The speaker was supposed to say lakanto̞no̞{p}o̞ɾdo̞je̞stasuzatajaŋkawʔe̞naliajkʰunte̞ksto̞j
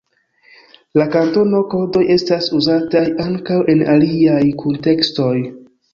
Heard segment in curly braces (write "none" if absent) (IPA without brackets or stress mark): k